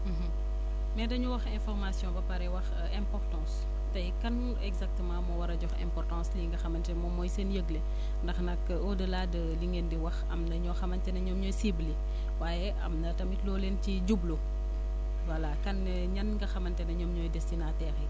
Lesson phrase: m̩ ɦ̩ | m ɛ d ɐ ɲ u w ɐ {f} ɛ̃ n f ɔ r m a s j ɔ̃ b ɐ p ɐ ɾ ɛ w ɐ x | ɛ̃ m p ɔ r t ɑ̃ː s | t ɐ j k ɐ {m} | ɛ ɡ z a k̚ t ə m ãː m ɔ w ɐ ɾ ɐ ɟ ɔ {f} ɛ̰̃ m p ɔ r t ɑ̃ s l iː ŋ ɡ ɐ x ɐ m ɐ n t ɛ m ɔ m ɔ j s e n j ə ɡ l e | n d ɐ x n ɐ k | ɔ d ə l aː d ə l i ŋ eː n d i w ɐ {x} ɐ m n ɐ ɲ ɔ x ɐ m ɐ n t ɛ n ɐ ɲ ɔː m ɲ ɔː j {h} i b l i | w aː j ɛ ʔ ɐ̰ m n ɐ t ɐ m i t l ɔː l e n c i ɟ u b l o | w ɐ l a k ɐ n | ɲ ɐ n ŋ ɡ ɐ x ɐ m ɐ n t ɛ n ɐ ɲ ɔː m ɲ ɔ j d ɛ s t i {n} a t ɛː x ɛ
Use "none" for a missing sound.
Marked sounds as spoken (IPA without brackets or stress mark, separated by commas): x, n, x, x, s, n